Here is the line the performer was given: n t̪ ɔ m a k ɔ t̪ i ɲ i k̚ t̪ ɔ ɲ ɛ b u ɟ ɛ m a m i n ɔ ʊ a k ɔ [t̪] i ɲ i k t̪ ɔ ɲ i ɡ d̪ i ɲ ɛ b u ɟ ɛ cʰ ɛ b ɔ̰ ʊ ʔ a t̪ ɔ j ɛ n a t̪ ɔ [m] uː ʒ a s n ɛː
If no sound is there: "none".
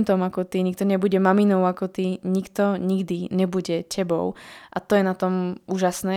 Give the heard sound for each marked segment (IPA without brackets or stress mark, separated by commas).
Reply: t̪, m